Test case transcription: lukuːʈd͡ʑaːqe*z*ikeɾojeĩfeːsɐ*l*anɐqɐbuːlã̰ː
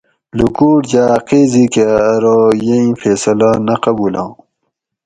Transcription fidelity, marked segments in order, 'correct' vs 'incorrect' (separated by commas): correct, correct